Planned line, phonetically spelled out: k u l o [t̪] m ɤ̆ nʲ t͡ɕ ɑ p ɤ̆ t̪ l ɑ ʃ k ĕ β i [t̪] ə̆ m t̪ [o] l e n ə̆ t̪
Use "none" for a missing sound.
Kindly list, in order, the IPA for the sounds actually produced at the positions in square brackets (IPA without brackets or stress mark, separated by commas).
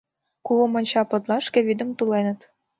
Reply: none, d̪, u